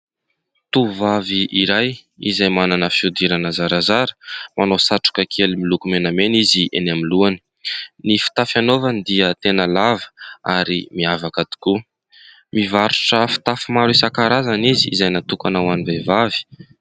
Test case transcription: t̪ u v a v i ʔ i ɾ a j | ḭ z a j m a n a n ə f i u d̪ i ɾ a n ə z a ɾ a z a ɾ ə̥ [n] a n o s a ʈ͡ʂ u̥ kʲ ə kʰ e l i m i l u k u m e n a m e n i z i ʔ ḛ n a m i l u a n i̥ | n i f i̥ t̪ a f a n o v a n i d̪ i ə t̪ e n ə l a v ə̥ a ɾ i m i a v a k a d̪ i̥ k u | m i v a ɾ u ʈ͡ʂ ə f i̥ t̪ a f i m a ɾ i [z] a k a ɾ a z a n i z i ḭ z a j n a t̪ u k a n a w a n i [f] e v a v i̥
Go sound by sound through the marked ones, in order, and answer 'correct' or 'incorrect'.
incorrect: m, incorrect: s, incorrect: v

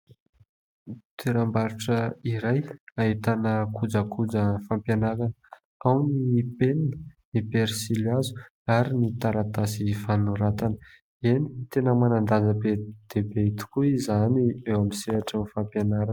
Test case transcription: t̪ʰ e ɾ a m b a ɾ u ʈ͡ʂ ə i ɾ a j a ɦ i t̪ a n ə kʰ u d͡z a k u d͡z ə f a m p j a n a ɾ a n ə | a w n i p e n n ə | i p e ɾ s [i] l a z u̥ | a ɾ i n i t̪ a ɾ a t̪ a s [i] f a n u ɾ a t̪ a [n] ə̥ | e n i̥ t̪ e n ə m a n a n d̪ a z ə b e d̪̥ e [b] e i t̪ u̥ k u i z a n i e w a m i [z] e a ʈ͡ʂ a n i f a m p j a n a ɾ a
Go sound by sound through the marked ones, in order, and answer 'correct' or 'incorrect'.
correct, correct, correct, correct, incorrect: s

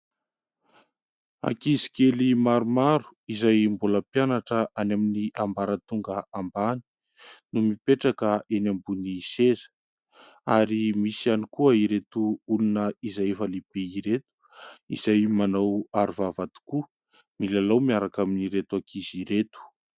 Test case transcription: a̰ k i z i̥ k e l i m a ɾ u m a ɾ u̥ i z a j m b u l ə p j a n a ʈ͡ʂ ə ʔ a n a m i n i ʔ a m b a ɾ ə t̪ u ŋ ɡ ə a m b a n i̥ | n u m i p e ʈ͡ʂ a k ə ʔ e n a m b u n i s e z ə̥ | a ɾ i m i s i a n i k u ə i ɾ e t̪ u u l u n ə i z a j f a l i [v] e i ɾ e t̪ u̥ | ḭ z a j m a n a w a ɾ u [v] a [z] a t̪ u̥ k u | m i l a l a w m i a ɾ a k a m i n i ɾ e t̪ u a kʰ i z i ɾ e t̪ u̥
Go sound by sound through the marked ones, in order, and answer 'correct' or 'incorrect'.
incorrect: b, correct, incorrect: v

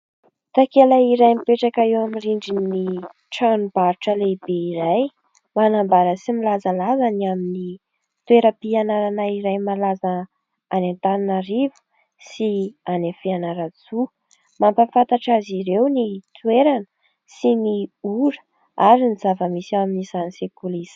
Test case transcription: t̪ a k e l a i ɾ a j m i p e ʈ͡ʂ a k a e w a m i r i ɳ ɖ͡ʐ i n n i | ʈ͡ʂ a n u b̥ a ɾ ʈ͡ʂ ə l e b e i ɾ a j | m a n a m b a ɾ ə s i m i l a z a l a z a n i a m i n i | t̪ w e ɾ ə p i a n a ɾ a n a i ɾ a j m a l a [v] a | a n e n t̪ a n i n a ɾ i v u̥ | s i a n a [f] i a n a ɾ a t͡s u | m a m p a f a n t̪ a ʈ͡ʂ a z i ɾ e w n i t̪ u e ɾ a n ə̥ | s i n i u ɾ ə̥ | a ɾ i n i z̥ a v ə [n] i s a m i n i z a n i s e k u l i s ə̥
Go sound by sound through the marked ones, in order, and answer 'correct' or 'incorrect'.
incorrect: z, correct, incorrect: m

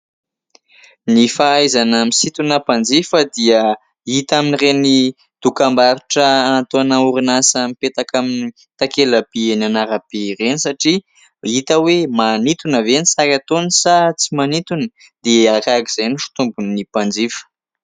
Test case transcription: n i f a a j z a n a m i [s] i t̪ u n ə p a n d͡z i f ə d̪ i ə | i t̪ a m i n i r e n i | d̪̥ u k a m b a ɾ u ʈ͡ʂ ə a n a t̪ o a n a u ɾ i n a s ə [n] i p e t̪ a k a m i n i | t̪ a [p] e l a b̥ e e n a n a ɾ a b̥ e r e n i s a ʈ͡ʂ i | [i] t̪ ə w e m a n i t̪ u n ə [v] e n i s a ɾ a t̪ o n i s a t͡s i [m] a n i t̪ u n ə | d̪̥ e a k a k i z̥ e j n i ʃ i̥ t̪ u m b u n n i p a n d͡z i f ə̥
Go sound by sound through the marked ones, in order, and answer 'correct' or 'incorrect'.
correct, incorrect: m, incorrect: k, correct, correct, correct

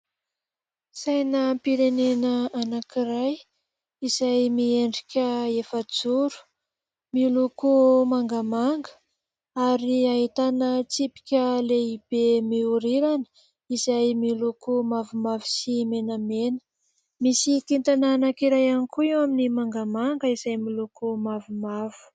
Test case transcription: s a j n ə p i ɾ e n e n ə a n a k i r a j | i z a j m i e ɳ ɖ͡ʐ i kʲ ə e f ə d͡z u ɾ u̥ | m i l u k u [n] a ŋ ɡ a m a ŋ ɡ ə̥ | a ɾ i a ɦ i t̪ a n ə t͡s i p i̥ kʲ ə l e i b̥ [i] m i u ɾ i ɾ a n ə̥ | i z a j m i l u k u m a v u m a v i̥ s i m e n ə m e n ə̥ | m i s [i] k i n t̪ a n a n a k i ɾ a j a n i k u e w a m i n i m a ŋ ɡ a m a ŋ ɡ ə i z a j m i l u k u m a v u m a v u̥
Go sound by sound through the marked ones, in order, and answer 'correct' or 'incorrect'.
incorrect: m, incorrect: e, correct

